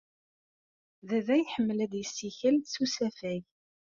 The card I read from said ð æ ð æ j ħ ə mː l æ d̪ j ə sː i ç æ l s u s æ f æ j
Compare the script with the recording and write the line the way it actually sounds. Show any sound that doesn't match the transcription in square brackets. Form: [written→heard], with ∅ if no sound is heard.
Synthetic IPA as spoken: ð æ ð æ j ħ ə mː l æ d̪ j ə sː i ç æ l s u s æ f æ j